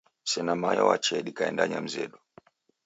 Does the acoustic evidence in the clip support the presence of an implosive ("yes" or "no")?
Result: yes